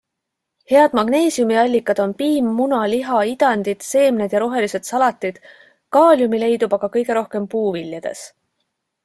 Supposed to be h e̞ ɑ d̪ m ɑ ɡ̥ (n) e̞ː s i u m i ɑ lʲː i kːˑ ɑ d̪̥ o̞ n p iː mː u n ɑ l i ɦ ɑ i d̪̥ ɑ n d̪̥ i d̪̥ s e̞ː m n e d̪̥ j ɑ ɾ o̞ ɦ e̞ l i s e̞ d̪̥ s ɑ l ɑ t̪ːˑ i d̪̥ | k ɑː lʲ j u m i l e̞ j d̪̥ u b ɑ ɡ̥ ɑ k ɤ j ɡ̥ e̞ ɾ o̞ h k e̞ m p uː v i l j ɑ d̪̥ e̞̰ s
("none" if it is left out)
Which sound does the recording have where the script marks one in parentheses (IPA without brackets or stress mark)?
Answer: n